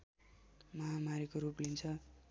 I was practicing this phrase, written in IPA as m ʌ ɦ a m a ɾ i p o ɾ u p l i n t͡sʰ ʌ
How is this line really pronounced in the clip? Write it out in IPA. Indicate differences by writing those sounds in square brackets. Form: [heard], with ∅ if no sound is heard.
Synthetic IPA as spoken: m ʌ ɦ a m a ɾ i [k] o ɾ u p l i n t͡sʰ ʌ